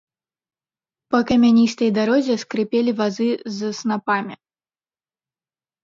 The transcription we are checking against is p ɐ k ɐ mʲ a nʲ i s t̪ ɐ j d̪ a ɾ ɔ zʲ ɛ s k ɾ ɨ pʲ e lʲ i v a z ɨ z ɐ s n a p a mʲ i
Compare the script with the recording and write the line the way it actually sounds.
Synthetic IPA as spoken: p ɐ k ɐ mʲ a nʲ i s t̪ ɐ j d̪ a ɾ ɔ zʲ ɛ s k ɾ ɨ pʲ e lʲ i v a z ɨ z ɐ s n a p a mʲ i